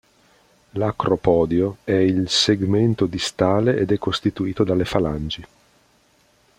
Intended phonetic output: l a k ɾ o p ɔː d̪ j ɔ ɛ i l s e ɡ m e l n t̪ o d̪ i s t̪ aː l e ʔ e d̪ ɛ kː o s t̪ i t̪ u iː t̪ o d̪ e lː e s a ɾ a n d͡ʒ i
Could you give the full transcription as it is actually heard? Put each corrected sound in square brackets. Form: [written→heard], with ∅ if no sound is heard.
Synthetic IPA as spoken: l a k ɾ o p ɔː d̪ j [ɔ→o] ɛ i l s e ɡ m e [l→∅] n t̪ o d̪ i s t̪ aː l e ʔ e d̪ ɛ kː o s t̪ i t̪ u iː t̪ o d̪ [e→a] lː e [s→f] a [ɾ→l] a n d͡ʒ i